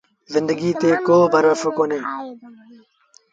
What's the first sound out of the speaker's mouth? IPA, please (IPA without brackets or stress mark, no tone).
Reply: z